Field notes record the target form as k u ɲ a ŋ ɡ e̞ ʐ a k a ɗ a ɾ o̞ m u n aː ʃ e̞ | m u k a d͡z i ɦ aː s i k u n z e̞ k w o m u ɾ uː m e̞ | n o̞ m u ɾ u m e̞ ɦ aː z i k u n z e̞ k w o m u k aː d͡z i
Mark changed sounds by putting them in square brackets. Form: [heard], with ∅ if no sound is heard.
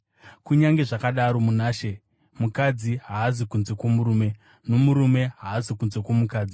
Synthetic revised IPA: k u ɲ a ŋ ɡ e̞ ʐ a k a ɗ a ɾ o̞ m u n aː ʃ e̞ | m u k a d͡z i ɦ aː [z] i k u n z e̞ k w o m u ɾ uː m e̞ | n o̞ m u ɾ u m e̞ ɦ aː z i k u n z e̞ k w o m u k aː d͡z i